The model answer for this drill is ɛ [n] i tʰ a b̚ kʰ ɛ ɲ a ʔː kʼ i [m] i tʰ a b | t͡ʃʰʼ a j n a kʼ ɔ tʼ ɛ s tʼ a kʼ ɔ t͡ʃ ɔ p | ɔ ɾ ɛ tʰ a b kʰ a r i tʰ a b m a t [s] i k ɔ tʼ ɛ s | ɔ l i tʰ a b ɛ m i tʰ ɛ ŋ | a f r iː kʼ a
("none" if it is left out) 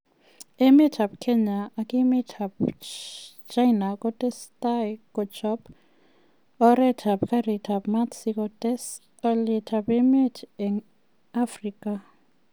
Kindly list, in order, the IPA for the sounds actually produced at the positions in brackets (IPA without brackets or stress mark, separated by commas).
m, m, s